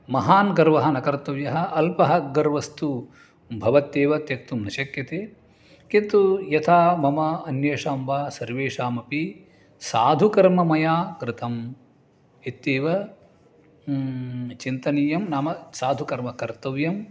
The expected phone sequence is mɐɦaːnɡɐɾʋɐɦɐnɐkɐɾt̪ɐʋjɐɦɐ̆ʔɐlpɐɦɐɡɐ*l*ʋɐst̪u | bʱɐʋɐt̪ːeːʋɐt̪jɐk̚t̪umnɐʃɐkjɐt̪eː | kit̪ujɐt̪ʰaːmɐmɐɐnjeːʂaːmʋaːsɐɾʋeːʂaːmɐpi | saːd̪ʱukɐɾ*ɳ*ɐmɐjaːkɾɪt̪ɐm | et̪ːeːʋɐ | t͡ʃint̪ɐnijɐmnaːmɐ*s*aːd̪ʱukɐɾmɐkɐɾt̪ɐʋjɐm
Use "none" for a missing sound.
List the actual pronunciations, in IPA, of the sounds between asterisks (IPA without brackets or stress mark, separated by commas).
ɾ, m, s